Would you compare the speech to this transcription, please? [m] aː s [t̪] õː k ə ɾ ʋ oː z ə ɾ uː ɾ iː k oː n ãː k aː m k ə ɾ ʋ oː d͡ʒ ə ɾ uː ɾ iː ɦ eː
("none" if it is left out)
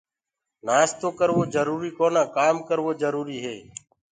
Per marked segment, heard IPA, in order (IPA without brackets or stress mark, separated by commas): n, t̪